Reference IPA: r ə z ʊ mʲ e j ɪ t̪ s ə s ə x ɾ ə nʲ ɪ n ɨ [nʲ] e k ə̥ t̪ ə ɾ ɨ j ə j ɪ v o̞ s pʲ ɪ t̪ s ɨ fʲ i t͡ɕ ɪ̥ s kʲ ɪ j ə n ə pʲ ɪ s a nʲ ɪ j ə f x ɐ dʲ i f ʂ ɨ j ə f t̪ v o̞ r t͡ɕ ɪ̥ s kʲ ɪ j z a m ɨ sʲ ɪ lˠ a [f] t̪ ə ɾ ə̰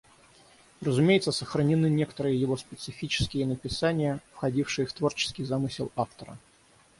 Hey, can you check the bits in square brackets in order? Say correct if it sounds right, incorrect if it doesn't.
correct, correct

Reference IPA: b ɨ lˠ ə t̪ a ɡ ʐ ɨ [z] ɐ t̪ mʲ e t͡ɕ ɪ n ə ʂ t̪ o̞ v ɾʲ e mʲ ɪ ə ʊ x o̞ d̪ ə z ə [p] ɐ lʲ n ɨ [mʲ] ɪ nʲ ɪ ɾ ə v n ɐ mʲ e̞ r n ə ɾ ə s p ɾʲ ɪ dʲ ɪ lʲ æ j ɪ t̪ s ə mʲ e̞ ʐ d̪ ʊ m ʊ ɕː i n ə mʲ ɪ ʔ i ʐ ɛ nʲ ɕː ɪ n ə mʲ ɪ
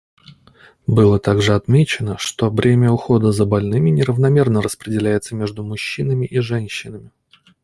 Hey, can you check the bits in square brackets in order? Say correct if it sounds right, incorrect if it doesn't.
incorrect, incorrect, correct

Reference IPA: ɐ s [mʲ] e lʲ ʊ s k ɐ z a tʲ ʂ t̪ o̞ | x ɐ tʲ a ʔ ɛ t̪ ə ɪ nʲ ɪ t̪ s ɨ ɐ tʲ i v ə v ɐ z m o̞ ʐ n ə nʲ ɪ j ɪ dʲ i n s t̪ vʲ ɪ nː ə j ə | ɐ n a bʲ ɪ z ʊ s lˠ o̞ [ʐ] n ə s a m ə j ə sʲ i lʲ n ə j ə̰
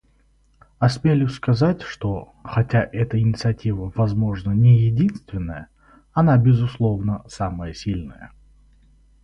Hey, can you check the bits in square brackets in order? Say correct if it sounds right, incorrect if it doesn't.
correct, incorrect

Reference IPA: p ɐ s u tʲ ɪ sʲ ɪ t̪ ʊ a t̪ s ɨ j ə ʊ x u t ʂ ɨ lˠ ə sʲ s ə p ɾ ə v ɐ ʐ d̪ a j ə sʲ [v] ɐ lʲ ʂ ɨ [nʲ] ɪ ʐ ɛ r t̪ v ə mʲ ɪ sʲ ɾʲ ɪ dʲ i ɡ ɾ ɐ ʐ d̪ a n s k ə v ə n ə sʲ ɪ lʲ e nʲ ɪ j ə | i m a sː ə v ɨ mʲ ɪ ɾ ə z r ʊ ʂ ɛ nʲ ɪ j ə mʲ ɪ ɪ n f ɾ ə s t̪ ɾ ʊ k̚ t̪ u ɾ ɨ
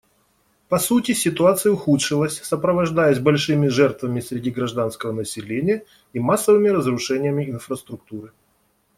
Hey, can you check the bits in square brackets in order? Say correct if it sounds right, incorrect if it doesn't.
incorrect, incorrect

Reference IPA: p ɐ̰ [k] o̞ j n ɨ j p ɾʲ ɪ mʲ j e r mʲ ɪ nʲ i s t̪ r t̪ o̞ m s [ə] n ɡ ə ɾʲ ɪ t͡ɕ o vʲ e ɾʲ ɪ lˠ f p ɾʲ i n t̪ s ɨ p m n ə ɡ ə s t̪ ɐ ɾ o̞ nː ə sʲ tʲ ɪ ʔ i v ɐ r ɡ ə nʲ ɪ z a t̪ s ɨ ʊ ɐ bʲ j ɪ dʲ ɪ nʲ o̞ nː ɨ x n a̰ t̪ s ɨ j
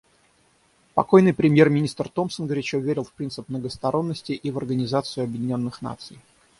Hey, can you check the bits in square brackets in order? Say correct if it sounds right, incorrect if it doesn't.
correct, correct

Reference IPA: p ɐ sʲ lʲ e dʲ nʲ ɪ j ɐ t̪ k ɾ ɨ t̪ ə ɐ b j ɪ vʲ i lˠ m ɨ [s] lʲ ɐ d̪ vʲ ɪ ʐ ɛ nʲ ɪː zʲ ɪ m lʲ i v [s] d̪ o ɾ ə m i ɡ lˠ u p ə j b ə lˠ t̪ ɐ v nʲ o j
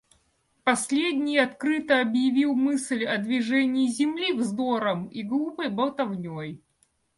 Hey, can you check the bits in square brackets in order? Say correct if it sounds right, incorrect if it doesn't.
correct, incorrect

